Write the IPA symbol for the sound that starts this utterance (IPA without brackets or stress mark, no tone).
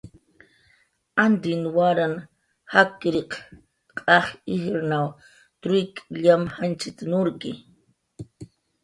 a